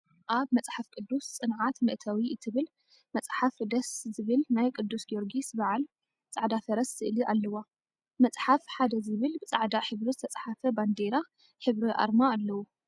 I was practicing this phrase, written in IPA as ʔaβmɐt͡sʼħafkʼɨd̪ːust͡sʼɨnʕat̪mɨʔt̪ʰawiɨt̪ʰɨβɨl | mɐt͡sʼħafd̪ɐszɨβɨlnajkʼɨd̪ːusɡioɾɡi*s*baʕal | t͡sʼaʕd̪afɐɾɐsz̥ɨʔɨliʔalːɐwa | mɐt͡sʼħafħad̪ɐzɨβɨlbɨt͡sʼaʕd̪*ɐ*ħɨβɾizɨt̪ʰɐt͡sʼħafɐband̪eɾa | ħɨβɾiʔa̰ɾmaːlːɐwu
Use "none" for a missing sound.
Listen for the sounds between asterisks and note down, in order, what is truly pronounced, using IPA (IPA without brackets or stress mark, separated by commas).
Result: s, a